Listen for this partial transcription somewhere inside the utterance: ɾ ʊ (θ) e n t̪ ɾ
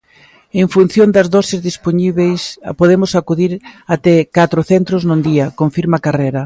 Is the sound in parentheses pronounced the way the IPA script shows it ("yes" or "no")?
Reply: yes